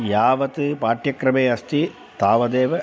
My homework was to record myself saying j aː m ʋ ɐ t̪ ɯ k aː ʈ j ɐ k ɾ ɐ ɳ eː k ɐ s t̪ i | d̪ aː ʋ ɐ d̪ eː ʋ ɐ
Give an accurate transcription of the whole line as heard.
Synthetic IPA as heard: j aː ʋ ɐ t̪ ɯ p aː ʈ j ɐ k ɾ ɐ m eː ɐ s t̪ i | t̪ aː ʋ ɐ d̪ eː ʋ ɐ